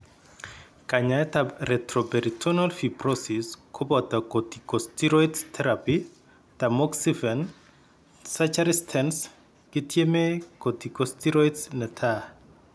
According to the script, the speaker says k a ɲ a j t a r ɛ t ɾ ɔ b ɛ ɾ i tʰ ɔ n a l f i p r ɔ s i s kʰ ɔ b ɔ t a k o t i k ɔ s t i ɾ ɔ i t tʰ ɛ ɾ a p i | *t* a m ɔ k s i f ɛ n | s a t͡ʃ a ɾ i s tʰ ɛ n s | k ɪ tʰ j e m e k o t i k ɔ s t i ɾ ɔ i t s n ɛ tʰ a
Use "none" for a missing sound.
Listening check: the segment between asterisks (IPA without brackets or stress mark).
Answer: t